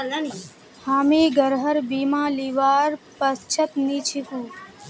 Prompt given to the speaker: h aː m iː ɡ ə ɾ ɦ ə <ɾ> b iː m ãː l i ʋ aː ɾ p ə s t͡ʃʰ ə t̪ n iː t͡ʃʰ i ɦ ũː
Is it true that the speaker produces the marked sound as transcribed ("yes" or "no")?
yes